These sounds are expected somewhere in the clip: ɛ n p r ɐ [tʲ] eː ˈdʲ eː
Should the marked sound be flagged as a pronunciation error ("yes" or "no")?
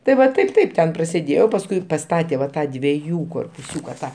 yes